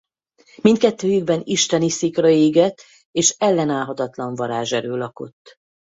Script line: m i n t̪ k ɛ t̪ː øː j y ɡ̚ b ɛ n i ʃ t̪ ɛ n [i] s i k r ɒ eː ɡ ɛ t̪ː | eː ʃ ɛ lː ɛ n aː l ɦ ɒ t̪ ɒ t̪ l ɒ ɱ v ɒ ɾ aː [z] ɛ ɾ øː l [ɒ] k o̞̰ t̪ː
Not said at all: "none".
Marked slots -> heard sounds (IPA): i, ʒ, ɒ

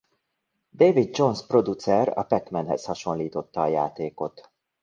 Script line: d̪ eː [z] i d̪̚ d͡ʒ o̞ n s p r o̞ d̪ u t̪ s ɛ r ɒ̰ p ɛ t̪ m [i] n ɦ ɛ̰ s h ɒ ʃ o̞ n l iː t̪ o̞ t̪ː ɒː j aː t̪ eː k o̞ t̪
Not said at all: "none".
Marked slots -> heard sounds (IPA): v, ɛ

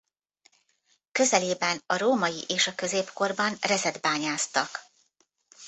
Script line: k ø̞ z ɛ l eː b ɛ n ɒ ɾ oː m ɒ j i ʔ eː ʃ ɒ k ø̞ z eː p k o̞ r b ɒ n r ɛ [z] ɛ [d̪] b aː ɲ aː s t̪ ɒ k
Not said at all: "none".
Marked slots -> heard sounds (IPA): z, d̪

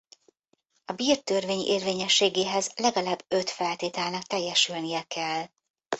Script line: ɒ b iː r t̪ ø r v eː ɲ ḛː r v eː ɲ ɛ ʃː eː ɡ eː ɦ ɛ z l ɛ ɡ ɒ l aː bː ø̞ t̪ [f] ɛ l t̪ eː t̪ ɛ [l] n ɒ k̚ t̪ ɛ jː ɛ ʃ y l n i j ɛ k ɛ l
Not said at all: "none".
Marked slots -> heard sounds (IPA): f, l

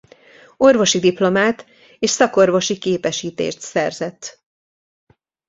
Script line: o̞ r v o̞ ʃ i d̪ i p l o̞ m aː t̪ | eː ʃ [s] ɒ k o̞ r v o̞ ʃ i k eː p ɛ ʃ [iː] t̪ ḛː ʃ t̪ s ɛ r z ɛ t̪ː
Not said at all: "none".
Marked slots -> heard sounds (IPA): s, iː

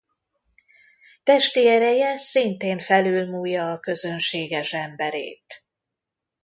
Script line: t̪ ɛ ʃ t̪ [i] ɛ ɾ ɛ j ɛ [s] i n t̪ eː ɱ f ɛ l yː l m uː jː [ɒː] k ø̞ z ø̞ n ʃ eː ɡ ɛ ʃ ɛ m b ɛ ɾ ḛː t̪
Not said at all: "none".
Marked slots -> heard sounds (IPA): i, s, ɒː

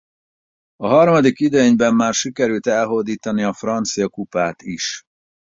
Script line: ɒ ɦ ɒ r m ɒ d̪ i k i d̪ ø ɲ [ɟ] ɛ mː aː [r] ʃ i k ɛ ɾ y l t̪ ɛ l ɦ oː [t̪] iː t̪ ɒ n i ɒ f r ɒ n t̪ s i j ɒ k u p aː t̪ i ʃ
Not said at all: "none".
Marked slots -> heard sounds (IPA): b, r, d̪

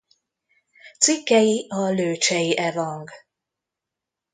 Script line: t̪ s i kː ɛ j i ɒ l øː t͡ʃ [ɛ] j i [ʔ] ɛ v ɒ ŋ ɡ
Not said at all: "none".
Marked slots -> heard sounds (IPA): ɛ, ʔ

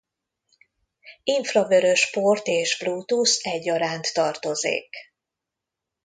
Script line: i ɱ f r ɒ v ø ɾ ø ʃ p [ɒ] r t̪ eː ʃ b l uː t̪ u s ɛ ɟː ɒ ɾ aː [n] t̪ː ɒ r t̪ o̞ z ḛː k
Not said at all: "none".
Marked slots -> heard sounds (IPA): o, n

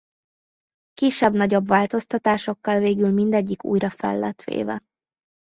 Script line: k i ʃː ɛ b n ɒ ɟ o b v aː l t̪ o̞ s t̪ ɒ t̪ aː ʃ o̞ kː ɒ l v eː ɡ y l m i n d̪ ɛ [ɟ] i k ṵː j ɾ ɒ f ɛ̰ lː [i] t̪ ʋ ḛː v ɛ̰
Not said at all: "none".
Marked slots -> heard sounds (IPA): ɟː, ɛ

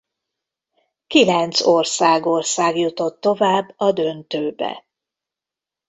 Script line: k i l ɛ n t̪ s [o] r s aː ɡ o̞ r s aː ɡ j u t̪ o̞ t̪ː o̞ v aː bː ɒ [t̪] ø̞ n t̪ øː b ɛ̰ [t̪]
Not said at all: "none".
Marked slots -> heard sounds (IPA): o, d̪, none

